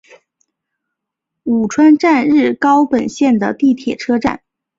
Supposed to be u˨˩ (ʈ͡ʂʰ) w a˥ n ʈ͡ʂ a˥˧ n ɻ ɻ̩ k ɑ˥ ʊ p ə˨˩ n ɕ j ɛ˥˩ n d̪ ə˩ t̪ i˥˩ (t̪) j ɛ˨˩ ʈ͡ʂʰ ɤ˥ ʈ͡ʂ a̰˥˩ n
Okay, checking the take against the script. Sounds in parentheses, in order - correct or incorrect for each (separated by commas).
correct, incorrect